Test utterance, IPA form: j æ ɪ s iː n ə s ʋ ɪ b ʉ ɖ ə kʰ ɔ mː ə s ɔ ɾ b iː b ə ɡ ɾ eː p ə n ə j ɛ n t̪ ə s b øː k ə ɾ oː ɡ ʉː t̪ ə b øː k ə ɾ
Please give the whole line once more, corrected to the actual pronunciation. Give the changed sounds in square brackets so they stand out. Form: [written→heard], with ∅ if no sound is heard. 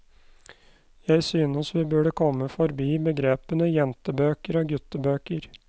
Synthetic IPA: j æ ɪ s [iː→yː] n ə s ʋ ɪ b ʉ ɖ ə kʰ ɔ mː ə [s→f] ɔ ɾ b iː b ə ɡ ɾ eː p ə n ə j ɛ n t̪ ə [s→∅] b øː k ə ɾ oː ɡ [ʉː→ʉ] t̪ ə b øː k ə ɾ